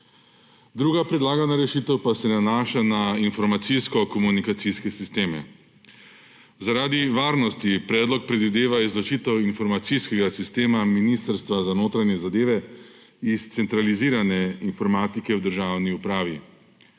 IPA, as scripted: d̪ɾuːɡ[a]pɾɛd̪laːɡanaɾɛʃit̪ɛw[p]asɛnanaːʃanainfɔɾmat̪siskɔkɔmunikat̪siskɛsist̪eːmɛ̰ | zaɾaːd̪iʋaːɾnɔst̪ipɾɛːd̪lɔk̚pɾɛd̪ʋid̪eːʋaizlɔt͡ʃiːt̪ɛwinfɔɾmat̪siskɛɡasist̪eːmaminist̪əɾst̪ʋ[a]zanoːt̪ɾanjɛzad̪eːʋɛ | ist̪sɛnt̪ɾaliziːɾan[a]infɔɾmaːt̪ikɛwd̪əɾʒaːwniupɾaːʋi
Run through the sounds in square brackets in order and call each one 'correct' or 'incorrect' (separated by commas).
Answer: correct, correct, correct, incorrect